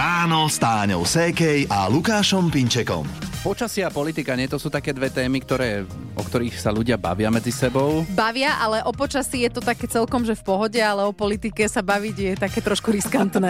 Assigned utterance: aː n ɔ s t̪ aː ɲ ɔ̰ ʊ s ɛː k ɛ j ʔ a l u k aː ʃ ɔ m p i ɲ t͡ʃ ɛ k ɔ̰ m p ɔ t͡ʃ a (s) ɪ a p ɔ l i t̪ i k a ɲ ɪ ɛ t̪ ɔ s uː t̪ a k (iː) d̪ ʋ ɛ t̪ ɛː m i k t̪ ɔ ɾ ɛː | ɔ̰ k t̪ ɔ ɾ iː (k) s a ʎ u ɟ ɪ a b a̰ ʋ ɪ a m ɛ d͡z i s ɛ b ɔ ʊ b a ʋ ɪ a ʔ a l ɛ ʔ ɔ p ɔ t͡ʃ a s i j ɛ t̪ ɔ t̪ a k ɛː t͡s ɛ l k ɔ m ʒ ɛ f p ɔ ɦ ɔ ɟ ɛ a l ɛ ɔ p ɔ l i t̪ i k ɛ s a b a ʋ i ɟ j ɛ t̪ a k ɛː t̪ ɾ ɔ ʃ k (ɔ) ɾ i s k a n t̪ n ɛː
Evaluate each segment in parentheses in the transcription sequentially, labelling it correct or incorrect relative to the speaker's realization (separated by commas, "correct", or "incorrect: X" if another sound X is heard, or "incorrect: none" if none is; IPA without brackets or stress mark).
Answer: correct, incorrect: ɛː, incorrect: x, incorrect: u